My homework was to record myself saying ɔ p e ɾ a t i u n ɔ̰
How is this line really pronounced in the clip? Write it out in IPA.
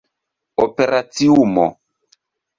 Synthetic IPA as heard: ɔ p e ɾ a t i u m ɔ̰